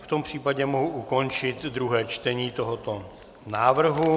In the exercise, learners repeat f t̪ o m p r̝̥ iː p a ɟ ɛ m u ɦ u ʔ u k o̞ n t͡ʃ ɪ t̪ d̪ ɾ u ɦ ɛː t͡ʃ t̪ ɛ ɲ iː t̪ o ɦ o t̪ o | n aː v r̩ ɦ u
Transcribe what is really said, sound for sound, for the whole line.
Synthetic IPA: f t̪ o m p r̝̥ iː p a ɟ ɛ m o ɦ u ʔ u k o̞ n t͡ʃ ɪ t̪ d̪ ɾ u ɦ ɛː t͡ʃ t̪ ɛ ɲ iː t̪ o ɦ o t̪ o | n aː v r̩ ɦ u